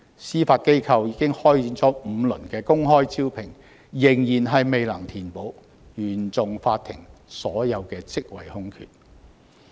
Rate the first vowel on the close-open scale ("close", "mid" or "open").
close